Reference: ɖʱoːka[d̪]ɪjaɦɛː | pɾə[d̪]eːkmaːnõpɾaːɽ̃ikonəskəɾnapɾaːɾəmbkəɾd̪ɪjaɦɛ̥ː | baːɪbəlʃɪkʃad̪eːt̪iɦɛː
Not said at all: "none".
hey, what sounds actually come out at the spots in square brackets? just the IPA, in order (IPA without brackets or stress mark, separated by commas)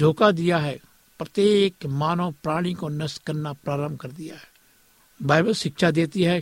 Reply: d̪, t̪